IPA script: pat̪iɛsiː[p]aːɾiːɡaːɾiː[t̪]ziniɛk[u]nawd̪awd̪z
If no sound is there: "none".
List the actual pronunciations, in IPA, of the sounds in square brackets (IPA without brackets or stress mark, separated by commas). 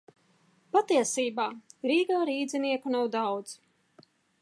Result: b, d̪, u